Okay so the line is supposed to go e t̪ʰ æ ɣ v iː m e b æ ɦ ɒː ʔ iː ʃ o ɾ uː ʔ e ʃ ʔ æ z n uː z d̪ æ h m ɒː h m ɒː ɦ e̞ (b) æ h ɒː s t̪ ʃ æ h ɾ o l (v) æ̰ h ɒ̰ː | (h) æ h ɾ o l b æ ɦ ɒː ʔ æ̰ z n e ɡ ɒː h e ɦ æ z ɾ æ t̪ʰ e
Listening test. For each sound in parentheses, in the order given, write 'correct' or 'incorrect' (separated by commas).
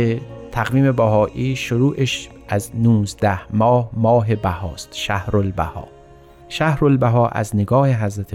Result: correct, incorrect, incorrect